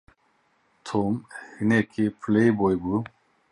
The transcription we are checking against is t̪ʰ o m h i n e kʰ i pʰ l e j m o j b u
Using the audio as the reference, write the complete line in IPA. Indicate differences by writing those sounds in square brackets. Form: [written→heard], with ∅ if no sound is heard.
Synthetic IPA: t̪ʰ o m h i n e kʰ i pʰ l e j [m→b] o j b u